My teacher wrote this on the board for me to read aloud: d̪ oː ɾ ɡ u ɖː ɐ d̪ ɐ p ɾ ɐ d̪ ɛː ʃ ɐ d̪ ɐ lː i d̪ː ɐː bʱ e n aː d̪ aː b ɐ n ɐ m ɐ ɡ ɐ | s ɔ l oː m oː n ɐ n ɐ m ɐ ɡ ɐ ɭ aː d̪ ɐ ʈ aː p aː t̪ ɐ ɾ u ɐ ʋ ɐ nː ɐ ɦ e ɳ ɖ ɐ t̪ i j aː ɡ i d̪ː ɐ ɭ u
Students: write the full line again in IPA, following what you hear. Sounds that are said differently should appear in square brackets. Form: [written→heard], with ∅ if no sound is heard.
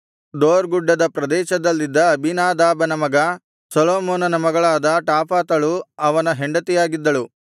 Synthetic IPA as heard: d̪ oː ɾ ɡ u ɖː ɐ d̪ ɐ p ɾ ɐ d̪ ɛː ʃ ɐ d̪ ɐ lː i d̪ː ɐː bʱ [e→i] n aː d̪ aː b ɐ n ɐ m ɐ ɡ ɐ | s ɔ l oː m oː n ɐ n ɐ m ɐ ɡ ɐ ɭ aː d̪ ɐ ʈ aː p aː t̪ ɐ [ɾ→ɭ] u ɐ ʋ ɐ [nː→n] ɐ ɦ e ɳ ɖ ɐ t̪ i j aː ɡ i d̪ː ɐ ɭ u

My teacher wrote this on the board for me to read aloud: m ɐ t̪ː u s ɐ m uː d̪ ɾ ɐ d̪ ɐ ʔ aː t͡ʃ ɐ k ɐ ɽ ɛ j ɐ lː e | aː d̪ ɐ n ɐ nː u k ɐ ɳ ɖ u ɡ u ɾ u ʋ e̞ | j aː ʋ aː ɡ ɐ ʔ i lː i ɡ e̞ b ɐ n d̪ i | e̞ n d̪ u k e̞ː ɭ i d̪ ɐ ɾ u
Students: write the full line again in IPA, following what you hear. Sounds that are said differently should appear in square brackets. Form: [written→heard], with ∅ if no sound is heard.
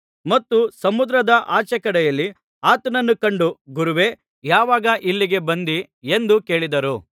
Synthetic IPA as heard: m ɐ t̪ː u s ɐ m [uː→u] d̪ ɾ ɐ d̪ ɐ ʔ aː t͡ʃ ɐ k ɐ ɽ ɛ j ɐ lː [e→i] | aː [d̪→t̪] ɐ n ɐ nː u k ɐ ɳ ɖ u ɡ u ɾ u ʋ e̞ | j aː ʋ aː ɡ ɐ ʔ i lː i ɡ e̞ b ɐ n d̪ i | e̞ n d̪ u k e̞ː ɭ i d̪ ɐ ɾ u

